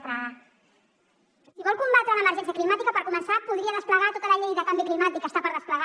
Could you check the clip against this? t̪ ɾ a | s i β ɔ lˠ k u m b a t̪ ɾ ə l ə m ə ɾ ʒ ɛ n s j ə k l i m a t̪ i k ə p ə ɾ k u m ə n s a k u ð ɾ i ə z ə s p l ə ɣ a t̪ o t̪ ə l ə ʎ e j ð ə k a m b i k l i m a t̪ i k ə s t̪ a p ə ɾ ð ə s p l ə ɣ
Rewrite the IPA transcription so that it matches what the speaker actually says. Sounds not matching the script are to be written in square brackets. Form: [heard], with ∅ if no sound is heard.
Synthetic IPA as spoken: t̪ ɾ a | s i β ɔ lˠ k u m b a t̪ ɾ ə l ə m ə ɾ ʒ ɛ n s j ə k l i m a t̪ i k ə p ə ɾ k u m ə n s a [p] u ð ɾ i ə [ð] ə s p l ə ɣ a t̪ o t̪ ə l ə ʎ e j ð ə k a m b i k l i m a t̪ i k ə s t̪ a p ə ɾ ð ə s p l ə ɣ